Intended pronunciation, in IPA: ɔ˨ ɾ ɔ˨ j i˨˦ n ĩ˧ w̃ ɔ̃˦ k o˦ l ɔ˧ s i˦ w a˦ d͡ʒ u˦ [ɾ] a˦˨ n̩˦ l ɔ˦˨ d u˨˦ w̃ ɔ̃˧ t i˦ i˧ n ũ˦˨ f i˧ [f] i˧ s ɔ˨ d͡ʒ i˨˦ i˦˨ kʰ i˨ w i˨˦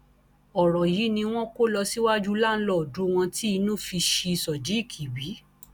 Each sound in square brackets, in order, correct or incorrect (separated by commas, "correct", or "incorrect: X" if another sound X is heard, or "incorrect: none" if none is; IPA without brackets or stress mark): incorrect: l, incorrect: ʃ